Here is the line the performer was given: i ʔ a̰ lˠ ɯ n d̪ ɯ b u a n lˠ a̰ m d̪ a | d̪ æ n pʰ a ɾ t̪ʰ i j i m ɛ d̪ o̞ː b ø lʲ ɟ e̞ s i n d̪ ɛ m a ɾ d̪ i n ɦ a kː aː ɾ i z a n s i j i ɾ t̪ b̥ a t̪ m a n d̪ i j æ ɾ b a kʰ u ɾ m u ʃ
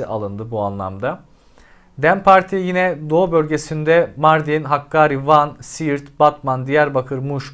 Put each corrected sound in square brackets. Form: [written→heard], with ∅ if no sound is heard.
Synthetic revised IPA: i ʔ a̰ lˠ ɯ n d̪ ɯ b u a n lˠ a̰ m d̪ a | d̪ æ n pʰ a ɾ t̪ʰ i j i [m→n] ɛ d̪ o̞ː b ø lʲ ɟ e̞ s i n d̪ ɛ m a ɾ d̪ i n ɦ a kː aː ɾ i [z→v] a n s i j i ɾ t̪ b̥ a t̪ m a n d̪ i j æ ɾ b a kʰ [u→ɯ] ɾ m u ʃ

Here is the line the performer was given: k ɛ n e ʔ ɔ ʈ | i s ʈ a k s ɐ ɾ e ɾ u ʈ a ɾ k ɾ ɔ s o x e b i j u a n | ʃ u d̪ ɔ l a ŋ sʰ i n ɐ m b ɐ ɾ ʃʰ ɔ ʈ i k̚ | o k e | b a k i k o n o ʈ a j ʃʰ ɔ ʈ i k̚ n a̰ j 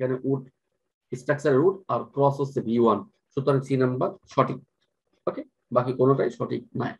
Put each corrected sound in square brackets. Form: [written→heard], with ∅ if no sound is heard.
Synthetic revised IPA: k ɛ n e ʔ [ɔ→u] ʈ | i s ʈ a k s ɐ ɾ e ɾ u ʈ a ɾ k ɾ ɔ s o [x→s] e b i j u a n | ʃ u [d̪→t̪] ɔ [l→ɾ] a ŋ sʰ i n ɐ m b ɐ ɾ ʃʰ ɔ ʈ i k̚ | o k e | b a k i k o n o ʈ a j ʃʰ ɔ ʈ i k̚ n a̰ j

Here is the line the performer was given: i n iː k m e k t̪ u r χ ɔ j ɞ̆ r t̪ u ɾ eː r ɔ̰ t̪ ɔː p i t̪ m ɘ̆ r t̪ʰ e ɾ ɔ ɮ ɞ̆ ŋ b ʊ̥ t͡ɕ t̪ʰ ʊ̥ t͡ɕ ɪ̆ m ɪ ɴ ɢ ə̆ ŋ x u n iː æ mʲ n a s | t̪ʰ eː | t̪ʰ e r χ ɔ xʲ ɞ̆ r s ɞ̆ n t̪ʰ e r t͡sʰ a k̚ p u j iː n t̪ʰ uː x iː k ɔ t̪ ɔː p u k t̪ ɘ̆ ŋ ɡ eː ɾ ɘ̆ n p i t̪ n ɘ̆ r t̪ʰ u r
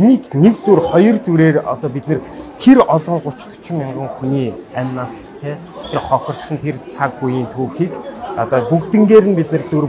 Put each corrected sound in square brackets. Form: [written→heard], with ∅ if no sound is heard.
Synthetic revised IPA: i n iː k [m→n] e k t̪ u r χ ɔ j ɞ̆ r t̪ u ɾ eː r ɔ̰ t̪ ɔː p i t̪ [m→n] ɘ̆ r t̪ʰ e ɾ ɔ ɮ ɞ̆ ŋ [b→ɢ] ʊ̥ t͡ɕ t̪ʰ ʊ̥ t͡ɕ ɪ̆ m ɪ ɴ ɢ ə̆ ŋ x u n iː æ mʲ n a s | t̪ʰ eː | t̪ʰ e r χ ɔ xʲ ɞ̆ r s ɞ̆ n t̪ʰ e r t͡sʰ a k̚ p u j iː n t̪ʰ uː x iː k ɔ t̪ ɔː p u k t̪ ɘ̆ ŋ ɡ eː ɾ ɘ̆ n p i t̪ n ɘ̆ r [t̪ʰ→t̪] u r

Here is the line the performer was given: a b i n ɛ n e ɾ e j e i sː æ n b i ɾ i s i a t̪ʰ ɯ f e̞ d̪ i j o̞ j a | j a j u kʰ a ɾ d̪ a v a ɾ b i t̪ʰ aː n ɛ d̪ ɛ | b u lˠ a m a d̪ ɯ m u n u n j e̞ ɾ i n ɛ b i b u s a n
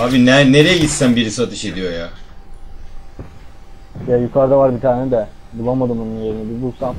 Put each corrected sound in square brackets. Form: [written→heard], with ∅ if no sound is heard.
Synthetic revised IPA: a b i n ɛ n e ɾ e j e i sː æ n b i ɾ i s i a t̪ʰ ɯ [f→ʃ] e̞ d̪ i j o̞ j a | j a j u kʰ a ɾ d̪ a v a ɾ b i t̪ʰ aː n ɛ d̪ ɛ | b u lˠ a m a d̪ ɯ m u n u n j e̞ ɾ i n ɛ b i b u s a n

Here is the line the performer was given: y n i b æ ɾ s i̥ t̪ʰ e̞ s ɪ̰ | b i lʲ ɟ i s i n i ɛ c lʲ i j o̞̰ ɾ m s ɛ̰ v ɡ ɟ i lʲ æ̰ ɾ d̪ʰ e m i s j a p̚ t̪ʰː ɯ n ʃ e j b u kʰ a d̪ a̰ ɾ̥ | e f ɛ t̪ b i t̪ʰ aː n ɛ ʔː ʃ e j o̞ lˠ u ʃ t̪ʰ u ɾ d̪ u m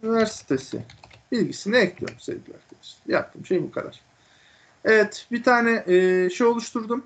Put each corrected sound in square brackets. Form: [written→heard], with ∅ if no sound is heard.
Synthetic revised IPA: y n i [b→v] æ ɾ s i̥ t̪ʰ e̞ s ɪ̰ | b i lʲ ɟ i s i n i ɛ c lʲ i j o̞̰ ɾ m s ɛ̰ v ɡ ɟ i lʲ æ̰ ɾ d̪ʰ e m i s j a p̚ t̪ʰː ɯ [n→m] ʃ e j b u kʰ a d̪ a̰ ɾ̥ | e [f→v] ɛ t̪ b i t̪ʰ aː n ɛ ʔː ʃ e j o̞ lˠ u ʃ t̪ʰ u ɾ d̪ u m

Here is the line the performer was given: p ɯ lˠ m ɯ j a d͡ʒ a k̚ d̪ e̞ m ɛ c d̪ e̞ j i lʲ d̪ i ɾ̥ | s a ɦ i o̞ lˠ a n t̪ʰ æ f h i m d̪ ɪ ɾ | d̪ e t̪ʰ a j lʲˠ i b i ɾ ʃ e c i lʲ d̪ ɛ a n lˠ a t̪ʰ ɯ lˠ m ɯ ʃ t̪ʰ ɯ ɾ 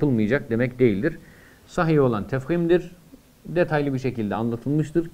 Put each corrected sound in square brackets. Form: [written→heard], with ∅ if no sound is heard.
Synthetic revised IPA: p ɯ lˠ m ɯ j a d͡ʒ a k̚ d̪ e̞ m ɛ c d̪ e̞ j i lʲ d̪ i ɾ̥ | s a ɦ i o̞ lˠ a n t̪ʰ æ f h i m d̪ [ɪ→i] ɾ | d̪ e t̪ʰ a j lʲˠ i b i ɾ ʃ e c i lʲ d̪ ɛ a n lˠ a t̪ʰ ɯ lˠ m ɯ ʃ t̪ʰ ɯ ɾ

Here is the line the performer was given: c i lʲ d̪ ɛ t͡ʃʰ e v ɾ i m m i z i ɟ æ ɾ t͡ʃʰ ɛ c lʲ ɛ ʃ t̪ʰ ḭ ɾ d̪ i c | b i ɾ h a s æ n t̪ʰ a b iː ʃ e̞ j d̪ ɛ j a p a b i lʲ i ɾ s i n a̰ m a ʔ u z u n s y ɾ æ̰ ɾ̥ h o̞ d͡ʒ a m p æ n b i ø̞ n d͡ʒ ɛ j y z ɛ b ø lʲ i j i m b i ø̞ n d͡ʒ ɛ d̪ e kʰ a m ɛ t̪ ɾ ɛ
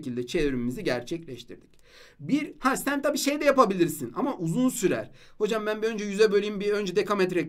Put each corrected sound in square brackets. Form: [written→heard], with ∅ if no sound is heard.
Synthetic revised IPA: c i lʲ d̪ ɛ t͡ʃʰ e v ɾ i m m i z i ɟ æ ɾ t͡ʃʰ ɛ c lʲ ɛ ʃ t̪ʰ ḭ ɾ d̪ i c | b i ɾ h a s æ n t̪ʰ a b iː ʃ e̞ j d̪ ɛ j a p a b i lʲ i ɾ s i n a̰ m a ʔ u z u n s y ɾ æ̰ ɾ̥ h o̞ d͡ʒ a m [p→b] æ n b i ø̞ n d͡ʒ ɛ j y z ɛ b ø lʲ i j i m b i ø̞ n d͡ʒ ɛ d̪ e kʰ a m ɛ t̪ ɾ ɛ

